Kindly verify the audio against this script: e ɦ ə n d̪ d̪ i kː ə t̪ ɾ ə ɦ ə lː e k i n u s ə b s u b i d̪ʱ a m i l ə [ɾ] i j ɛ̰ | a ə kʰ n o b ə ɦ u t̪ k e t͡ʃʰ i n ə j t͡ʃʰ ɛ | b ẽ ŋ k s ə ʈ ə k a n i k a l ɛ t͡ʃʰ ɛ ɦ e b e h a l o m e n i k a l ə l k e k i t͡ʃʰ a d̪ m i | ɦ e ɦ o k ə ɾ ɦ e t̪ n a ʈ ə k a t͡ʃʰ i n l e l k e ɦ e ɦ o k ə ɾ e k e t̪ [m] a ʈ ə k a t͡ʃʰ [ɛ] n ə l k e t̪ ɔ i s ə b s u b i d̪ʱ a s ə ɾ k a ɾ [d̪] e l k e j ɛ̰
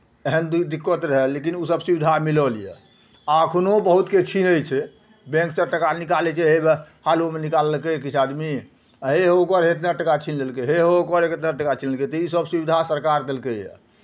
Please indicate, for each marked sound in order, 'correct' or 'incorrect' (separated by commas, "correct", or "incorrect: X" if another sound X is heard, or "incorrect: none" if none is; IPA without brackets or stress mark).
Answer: incorrect: l, incorrect: n, incorrect: i, correct